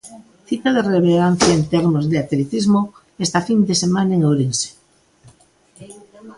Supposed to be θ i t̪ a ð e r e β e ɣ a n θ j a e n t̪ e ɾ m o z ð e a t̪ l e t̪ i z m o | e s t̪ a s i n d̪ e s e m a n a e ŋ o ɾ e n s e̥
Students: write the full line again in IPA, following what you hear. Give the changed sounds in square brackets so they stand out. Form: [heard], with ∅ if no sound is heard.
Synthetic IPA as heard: θ i t̪ a ð e r e β e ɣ a n θ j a e n t̪ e ɾ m o z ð e a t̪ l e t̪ i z m o | e s t̪ a [f] i n d̪ e s e m a n a e ŋ o ɾ e n s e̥